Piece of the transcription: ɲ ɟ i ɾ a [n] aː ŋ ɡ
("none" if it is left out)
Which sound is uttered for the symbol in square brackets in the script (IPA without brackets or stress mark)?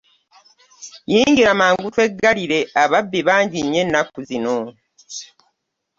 m